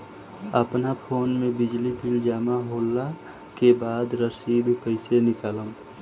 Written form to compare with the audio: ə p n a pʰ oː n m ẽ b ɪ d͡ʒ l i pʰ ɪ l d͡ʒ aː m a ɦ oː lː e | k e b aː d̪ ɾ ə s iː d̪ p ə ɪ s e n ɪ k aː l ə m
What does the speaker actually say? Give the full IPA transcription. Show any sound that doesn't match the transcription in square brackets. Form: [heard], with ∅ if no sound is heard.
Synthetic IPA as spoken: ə p n a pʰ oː n m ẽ b ɪ d͡ʒ l i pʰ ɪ l d͡ʒ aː m a ɦ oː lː [a] | k e b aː d̪ ɾ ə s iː d̪ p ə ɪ s e n ɪ k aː l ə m